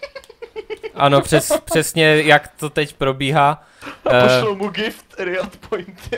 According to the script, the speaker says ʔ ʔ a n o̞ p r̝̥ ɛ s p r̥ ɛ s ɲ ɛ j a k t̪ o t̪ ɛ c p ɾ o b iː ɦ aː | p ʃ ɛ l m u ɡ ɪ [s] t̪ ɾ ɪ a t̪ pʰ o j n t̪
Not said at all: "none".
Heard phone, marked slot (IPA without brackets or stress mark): f